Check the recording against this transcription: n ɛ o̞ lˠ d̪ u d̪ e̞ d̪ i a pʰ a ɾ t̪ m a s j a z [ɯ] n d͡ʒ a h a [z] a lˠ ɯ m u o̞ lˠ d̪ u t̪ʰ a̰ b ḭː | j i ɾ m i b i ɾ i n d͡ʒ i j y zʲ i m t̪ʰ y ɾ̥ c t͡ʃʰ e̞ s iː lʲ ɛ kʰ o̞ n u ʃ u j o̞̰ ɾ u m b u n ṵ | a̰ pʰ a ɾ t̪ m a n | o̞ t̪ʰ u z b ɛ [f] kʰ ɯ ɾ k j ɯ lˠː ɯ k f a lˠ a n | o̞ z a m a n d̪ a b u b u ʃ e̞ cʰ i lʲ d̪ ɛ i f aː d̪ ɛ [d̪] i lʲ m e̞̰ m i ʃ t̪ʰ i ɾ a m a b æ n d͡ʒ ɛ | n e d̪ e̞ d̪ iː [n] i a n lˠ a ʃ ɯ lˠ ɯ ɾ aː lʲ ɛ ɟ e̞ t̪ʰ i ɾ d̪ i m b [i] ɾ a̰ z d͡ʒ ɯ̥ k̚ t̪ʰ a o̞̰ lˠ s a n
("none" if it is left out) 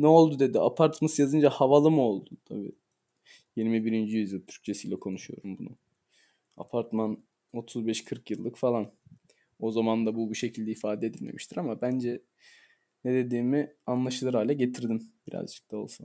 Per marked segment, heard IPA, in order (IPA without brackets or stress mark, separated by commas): ɯ, v, ʃ, d̪, m, i